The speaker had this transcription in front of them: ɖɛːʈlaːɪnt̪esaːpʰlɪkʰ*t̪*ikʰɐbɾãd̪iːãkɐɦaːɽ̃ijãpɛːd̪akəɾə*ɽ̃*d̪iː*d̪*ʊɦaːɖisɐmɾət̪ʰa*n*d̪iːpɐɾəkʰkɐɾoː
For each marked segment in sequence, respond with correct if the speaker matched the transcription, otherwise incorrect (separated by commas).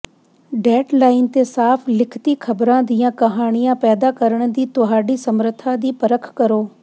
correct, correct, incorrect, incorrect